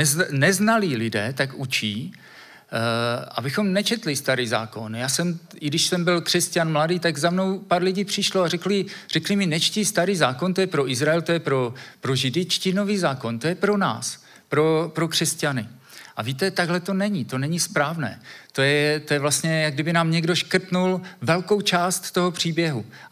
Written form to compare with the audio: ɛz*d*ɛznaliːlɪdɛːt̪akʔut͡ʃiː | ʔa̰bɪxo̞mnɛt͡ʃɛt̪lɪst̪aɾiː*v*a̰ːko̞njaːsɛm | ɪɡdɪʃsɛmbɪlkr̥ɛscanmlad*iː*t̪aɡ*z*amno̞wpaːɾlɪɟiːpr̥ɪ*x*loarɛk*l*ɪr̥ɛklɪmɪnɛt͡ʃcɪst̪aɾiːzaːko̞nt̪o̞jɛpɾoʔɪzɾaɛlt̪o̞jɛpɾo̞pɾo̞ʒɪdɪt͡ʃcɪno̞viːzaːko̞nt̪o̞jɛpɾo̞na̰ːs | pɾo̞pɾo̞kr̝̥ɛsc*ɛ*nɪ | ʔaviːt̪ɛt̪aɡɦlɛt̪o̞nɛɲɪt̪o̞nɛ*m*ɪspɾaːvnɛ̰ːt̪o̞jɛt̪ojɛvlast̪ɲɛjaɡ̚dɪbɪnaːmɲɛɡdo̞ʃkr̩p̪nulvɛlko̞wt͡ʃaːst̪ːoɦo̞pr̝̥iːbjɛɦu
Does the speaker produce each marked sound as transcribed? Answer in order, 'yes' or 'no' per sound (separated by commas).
no, no, yes, yes, no, yes, no, no